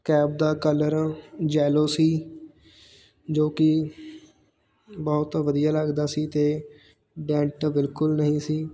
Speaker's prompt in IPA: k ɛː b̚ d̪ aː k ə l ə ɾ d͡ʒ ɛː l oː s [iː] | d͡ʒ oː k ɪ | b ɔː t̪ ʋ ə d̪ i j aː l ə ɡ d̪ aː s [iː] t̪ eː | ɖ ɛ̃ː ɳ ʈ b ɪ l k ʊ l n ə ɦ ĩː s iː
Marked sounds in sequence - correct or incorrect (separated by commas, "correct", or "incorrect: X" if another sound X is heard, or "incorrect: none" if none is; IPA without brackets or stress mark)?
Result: correct, correct